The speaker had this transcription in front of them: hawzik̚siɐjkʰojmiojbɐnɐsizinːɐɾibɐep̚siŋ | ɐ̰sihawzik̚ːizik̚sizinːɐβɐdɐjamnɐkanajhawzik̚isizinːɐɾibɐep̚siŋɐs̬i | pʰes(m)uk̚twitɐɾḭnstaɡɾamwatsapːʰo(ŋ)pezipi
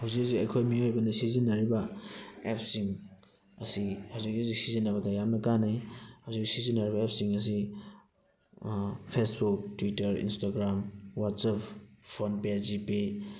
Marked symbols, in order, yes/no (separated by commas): no, no